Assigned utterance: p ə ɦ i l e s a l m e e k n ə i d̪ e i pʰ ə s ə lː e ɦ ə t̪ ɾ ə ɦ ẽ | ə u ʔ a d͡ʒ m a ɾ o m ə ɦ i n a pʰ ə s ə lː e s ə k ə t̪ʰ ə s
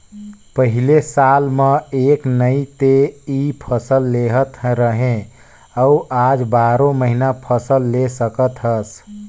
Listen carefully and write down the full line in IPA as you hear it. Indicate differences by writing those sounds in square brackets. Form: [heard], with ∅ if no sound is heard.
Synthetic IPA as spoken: p ə ɦ i l e s a l m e e k n ə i [t̪] e i pʰ ə s ə lː e ɦ ə t̪ ɾ ə ɦ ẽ | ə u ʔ a d͡ʒ [b] a ɾ o m ə ɦ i n a pʰ ə s ə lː e s ə k ə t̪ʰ ə s